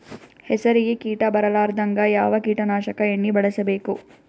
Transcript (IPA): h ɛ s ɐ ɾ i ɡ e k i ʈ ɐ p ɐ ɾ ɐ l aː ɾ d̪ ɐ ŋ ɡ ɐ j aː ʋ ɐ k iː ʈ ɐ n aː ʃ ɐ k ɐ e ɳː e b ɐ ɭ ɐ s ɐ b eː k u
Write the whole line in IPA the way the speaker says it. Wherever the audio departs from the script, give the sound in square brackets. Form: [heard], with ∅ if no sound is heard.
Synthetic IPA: h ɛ s ɐ ɾ i ɡ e k [iː] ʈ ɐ [b] ɐ ɾ ɐ l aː ɾ d̪ ɐ ŋ ɡ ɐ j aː ʋ ɐ k iː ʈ ɐ n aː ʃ ɐ k ɐ e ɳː [i] b ɐ ɭ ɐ s ɐ b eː k u